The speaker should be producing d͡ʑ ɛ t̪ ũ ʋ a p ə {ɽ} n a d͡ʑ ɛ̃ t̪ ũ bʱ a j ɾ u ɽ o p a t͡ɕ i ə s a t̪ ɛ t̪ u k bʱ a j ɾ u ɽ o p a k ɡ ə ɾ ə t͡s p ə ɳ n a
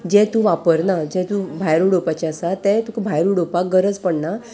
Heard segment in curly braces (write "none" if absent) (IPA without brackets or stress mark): ɾ